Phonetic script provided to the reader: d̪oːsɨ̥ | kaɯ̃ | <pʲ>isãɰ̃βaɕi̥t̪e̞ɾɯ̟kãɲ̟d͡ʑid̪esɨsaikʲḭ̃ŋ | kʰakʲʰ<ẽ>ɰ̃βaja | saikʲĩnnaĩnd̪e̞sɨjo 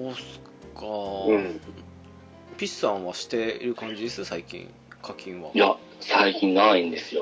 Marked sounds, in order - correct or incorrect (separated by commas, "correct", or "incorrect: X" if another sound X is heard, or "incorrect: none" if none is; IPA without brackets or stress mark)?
correct, incorrect: ĩ